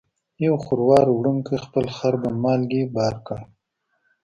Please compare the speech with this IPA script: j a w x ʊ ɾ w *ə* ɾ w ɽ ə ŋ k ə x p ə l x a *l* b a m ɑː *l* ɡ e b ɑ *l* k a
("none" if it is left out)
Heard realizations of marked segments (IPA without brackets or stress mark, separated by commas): ɑ, ɾ, l, ɾ